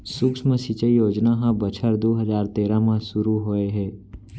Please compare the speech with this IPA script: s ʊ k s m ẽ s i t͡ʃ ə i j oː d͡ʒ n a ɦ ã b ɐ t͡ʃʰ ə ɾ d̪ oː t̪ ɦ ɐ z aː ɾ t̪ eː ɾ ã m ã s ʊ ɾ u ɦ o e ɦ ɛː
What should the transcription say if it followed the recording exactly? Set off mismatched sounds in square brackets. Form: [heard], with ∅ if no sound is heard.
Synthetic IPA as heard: s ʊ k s m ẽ s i t͡ʃ ə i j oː d͡ʒ n a ɦ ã b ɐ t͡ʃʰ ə ɾ d̪ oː [∅] ɦ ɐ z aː ɾ t̪ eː ɾ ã m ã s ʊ ɾ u ɦ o e ɦ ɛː